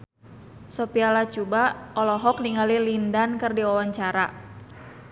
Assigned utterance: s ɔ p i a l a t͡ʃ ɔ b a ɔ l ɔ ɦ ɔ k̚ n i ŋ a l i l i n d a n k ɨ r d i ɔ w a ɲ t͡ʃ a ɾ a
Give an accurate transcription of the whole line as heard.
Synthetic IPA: s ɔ p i a l a t͡ʃ u b a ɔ l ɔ ɦ ɔ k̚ n i ŋ a l i l i n d a n k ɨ r d i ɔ w a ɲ t͡ʃ a ɾ a